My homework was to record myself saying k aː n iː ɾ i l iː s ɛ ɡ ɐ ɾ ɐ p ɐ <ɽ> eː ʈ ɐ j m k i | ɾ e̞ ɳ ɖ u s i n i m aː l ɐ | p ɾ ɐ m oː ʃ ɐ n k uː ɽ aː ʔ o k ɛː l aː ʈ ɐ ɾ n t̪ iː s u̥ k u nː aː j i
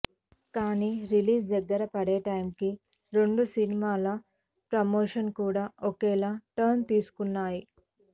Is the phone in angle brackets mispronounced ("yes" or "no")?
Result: no